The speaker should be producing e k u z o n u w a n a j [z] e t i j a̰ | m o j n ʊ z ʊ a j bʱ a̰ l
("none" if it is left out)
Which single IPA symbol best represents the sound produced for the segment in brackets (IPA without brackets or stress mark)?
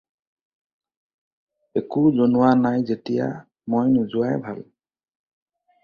z